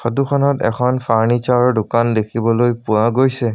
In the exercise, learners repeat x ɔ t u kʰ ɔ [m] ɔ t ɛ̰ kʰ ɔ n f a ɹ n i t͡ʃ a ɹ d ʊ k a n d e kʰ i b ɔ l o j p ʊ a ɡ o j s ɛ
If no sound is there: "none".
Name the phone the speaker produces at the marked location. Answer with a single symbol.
n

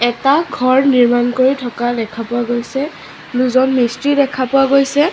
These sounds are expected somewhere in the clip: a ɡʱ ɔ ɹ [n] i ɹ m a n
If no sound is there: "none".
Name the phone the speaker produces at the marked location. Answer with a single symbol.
n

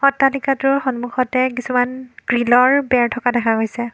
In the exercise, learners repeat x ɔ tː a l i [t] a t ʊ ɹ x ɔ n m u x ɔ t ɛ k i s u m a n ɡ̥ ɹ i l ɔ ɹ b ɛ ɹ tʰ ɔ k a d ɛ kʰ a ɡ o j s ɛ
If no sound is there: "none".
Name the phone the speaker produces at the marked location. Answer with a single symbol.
k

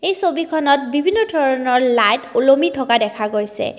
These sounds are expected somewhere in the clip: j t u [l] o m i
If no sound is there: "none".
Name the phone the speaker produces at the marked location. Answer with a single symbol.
l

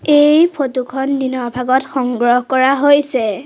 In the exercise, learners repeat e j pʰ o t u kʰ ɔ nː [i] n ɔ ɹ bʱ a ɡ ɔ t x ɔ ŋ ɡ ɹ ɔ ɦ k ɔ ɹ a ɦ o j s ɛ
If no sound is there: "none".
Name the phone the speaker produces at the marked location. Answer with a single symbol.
i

